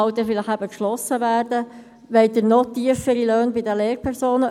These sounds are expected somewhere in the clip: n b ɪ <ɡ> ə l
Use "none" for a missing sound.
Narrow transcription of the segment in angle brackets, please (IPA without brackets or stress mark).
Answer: d